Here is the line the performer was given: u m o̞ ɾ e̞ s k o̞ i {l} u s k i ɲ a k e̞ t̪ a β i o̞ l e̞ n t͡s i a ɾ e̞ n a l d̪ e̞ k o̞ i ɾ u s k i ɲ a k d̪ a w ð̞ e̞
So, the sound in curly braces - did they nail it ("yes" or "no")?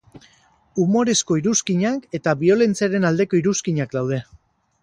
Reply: no